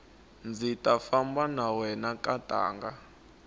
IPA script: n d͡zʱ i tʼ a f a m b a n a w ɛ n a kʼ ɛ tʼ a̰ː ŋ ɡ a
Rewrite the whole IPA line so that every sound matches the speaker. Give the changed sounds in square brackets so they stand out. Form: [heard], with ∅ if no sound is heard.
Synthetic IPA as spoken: n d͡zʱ i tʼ a f a m b a n a w ɛ n a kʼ [a] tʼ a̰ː ŋ ɡ a